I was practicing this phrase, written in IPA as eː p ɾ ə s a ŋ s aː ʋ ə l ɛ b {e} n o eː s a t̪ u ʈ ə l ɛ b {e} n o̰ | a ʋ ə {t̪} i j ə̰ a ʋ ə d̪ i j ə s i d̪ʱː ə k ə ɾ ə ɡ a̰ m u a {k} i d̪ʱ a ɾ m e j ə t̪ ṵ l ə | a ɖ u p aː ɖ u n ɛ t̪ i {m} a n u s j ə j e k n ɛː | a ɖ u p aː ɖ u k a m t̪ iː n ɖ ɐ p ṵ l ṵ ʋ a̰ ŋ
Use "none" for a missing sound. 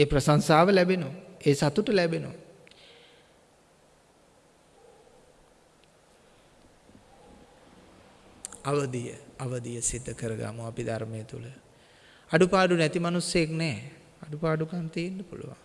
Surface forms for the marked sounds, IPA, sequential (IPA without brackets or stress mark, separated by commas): e, e, d̪, p, m